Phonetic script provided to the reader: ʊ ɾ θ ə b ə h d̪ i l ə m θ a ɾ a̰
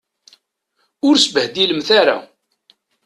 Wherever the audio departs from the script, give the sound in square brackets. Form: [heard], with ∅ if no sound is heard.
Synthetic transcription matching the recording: ʊ ɾ [s] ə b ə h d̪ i l ə m θ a ɾ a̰